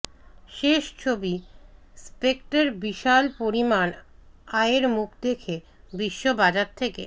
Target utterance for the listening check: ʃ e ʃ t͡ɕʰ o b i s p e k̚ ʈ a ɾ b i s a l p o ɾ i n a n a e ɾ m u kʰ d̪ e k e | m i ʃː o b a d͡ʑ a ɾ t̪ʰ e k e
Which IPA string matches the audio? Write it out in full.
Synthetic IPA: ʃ e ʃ t͡ɕʰ o b i s p e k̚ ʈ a ɾ b i ʃ a l p o ɾ i m a n a e ɾ m u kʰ d̪ e kʰ e | b i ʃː o b a d͡ʑ a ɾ t̪ʰ e k e

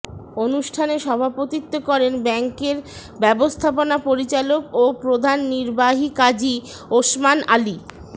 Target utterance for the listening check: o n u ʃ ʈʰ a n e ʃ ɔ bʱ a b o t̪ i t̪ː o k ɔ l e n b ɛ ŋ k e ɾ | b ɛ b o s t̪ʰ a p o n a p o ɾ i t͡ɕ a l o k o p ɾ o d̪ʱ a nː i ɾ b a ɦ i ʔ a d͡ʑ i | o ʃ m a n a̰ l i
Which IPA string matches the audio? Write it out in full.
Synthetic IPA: o n u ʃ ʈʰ a n e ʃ ɔ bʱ a p o t̪ i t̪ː o k ɔ ɾ e n b ɛ ŋ k e ɾ | b ɛ b o s t̪ʰ a p o n a p o ɾ i t͡ɕ a l o k o p ɾ o d̪ʱ a nː i ɾ b a ɦ i k a d͡ʑ i | o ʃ m a n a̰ l i

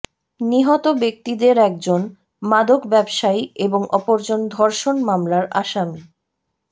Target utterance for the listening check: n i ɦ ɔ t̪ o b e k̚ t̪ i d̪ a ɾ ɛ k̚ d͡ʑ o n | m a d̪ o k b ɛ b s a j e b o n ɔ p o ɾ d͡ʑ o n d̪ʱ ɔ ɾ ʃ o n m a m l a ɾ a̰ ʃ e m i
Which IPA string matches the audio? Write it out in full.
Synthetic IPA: n i ɦ ɔ t̪ o b e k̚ t̪ i d̪ e ɾ ɛ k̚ d͡ʑ o n | m a d̪ o k b ɛ b ʃ a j e b o ŋ ɔ p o ɾ d͡ʑ o n d̪ʱ ɔ ɾ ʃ o n m a m l a ɾ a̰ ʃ a m i

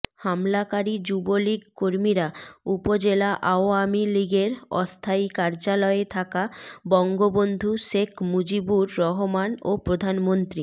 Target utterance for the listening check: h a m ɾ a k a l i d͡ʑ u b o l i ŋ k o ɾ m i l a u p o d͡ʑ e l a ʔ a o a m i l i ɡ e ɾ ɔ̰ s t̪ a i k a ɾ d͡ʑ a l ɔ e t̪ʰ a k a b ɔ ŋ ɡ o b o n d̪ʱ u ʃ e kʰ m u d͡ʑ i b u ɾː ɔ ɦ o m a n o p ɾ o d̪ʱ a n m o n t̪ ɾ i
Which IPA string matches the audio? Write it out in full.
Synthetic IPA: h a m l a k a ɾ i d͡ʑ u b o l i ɡ k o ɾ m i ɾ a u p o d͡ʑ e l a ʔ a o a m i l i ɡ e ɾ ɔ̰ s t̪ʰ a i k a ɾ d͡ʑ a l ɔ e t̪ʰ a k a b ɔ ŋ ɡ o b o n d̪ʱ u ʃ e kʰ m u d͡ʑ i b u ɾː ɔ ɦ o m a n o p ɾ o d̪ʱ a n m o n t̪ ɾ i

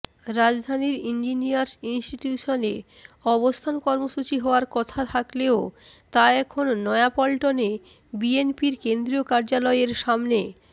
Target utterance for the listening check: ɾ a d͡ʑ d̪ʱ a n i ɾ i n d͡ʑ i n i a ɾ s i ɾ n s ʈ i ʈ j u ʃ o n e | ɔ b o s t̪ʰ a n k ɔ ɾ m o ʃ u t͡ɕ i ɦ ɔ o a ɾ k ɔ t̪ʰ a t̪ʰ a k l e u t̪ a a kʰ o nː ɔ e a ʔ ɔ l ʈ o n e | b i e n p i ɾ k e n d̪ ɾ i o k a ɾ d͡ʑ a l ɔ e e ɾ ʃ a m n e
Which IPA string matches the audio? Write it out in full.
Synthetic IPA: ɾ a d͡ʑ d̪ʱ a n i ɾ i n d͡ʑ i n i a ɾ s i n s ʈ i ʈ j u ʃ o n e | ɔ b o s t̪ʰ a n k ɔ ɾ m o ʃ u t͡ɕ i ɦ ɔ o a ɾ k ɔ t̪ʰ a t̪ʰ a k l e o t̪ a ɛ kʰ o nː ɔ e a p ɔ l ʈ o n e | b i e n p i ɾ k e n d̪ ɾ i o k a ɾ d͡ʑ a l ɔ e e ɾ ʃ a m n e

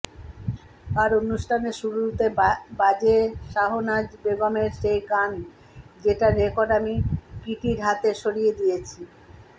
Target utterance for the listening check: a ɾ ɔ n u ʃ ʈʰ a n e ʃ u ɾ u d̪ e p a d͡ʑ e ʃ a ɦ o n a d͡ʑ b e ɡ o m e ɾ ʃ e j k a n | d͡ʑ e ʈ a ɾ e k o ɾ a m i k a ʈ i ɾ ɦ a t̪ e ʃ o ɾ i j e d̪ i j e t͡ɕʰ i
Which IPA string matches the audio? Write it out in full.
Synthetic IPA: a ɾ o n u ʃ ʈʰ a n e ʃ u ɾ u t̪ e b a d͡ʑ e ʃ a ɦ o n a d͡ʑ b e ɡ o m e ɾ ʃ e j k a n | d͡ʑ e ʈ a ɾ e k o ɾ a m i k i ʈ i ɾ ɦ a t̪ e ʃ o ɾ i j e d̪ i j e t͡ɕʰ i

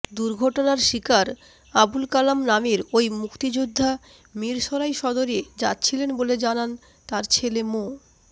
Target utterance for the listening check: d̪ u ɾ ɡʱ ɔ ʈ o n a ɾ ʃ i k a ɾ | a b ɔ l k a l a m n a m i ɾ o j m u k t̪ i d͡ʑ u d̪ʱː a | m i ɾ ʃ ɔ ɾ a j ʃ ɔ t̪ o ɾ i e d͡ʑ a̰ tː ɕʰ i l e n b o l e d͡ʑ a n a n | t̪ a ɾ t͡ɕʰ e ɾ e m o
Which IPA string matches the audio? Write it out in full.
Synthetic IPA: d̪ u ɾ ɡʱ ɔ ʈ o n a ɾ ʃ i k a ɾ | a b u l k a l a m n a m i ɾ o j m u k t̪ i d͡ʑ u d̪ʱː a | m i ɾ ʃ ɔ ɾ a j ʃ ɔ d̪ o ɾ i e d͡ʑ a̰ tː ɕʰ i l e n b o l e d͡ʑ a n a n | t̪ a ɾ t͡ɕʰ e l e m o

